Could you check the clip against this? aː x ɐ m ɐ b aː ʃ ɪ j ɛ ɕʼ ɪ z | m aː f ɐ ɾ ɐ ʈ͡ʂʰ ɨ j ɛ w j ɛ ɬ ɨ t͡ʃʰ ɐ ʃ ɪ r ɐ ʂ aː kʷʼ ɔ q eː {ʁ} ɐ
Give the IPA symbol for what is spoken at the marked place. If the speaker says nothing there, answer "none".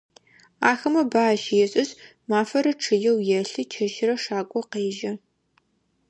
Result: ʒ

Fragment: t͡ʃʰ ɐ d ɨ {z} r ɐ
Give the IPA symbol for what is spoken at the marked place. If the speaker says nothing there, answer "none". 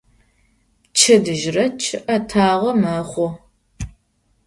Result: ʒ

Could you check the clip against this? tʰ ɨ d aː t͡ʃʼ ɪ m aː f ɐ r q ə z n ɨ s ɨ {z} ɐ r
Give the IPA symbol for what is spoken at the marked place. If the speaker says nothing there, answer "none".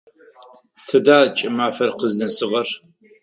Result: ʁ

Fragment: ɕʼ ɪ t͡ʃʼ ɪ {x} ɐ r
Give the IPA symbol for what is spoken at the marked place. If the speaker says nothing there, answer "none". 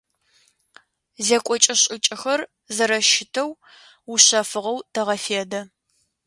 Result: x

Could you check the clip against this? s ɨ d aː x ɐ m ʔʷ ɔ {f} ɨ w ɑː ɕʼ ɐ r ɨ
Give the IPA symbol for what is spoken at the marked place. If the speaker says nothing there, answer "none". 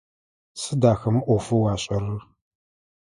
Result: f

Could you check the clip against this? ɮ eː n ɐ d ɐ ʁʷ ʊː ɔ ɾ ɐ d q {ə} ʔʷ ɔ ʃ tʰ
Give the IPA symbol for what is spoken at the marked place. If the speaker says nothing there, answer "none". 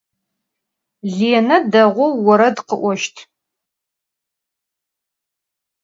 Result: ə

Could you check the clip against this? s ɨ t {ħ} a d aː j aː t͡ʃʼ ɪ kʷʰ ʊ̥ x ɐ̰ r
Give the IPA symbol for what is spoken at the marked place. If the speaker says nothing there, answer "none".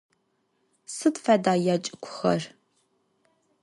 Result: f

